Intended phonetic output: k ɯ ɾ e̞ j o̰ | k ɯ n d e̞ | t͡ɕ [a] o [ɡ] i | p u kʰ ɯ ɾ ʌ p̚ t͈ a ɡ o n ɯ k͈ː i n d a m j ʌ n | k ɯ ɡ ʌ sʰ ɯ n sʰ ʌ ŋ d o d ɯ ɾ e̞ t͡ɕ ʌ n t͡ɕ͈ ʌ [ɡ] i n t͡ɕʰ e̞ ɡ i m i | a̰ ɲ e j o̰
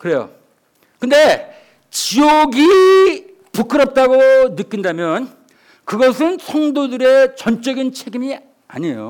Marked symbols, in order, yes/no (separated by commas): no, yes, yes